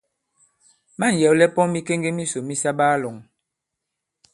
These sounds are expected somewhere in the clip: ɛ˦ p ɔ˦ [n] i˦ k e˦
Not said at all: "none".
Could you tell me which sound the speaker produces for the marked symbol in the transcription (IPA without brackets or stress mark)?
m